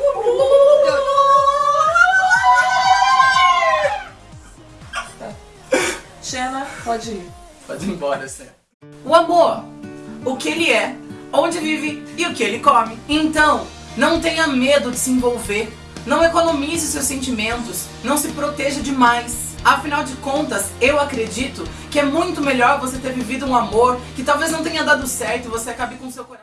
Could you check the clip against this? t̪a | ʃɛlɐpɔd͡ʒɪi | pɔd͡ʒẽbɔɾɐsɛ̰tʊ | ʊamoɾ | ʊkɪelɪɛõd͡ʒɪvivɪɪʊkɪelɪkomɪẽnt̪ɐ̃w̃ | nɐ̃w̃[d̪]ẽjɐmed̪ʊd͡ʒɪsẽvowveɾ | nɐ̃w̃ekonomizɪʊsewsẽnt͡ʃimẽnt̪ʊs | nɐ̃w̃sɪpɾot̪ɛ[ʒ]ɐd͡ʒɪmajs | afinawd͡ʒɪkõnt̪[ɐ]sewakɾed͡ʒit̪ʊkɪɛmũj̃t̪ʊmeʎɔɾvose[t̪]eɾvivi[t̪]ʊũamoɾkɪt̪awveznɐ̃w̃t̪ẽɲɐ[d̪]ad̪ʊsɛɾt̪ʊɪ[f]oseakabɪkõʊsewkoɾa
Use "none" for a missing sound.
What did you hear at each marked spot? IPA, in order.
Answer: t̪, ʒ, ɐ, t̪, d̪, d̪, v

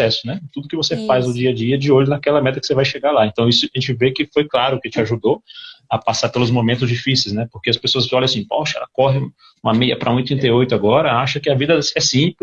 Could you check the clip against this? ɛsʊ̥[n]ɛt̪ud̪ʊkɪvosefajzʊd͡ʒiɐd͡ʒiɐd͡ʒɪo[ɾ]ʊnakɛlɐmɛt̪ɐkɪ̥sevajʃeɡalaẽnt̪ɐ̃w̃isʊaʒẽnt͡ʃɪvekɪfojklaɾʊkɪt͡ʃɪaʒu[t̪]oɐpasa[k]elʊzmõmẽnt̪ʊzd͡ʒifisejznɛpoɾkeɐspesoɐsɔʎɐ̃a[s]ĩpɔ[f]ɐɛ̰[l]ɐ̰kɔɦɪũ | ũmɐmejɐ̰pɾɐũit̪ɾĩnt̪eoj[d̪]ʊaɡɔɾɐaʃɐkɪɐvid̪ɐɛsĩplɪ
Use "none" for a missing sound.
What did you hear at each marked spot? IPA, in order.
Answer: n, ʎ, d̪, p, s, ʃ, l, t̪

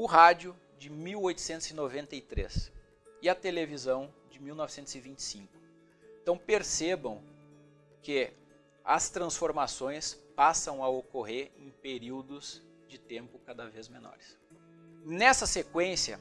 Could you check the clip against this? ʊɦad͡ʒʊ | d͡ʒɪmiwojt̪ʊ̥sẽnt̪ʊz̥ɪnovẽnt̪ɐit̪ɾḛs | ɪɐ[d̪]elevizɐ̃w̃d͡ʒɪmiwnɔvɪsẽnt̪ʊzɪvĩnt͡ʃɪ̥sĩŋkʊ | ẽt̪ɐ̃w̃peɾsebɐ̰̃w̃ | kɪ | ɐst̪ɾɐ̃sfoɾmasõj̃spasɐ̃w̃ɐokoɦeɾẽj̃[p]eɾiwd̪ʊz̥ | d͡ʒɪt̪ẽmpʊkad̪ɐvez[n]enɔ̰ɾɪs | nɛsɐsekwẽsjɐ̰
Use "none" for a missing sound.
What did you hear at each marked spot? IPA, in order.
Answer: t̪, p, m

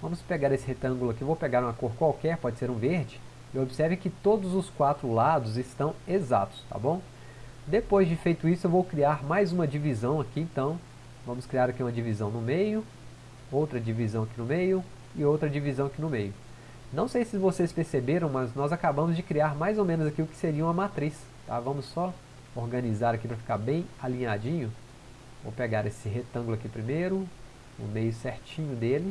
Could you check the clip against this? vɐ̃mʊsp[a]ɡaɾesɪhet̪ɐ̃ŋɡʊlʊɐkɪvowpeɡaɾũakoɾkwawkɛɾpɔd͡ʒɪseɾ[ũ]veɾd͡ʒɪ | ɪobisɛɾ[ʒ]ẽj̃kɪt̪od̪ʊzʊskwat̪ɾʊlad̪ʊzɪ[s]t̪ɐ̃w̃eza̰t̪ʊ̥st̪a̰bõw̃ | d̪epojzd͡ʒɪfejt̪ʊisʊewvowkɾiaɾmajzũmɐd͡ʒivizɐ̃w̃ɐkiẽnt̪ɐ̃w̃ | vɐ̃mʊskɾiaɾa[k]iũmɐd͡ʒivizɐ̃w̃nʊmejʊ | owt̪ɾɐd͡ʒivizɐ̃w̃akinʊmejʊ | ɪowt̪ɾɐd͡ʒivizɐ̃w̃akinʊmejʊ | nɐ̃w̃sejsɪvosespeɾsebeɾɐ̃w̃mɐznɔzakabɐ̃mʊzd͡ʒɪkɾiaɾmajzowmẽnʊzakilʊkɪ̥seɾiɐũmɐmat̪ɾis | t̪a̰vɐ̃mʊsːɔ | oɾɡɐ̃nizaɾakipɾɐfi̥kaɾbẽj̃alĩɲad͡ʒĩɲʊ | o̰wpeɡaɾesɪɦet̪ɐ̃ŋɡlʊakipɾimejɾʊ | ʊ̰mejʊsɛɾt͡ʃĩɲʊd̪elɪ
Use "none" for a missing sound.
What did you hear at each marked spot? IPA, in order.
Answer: e, ũ, v, s, k

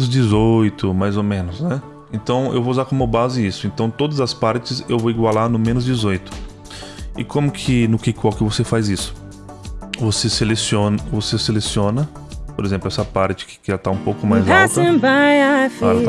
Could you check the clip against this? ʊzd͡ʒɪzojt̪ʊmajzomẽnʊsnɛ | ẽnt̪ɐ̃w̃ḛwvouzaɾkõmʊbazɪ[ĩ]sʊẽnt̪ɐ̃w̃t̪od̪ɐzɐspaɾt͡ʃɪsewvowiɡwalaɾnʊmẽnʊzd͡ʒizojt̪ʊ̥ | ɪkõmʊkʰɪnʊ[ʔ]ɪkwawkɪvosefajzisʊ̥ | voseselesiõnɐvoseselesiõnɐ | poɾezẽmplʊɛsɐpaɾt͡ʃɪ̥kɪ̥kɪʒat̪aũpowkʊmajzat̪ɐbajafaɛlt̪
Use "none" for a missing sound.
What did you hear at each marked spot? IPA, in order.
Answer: i, k

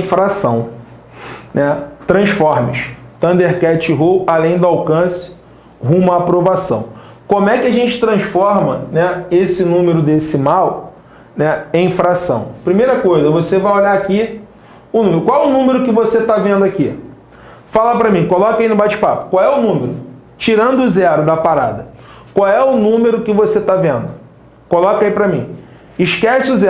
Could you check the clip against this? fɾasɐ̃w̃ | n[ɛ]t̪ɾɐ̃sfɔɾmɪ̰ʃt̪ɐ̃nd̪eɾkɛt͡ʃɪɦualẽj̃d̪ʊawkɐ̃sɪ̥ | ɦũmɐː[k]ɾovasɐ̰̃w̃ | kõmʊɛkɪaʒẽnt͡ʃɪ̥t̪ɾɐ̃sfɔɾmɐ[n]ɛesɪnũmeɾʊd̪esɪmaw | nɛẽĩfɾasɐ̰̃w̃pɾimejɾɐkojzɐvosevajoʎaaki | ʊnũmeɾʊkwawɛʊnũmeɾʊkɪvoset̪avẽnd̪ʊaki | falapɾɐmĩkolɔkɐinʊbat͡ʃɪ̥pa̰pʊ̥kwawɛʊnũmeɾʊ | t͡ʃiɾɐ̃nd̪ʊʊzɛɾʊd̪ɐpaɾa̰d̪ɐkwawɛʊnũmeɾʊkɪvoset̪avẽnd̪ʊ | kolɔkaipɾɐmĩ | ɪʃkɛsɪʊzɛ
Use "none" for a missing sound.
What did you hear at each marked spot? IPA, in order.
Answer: ɛ, p, n

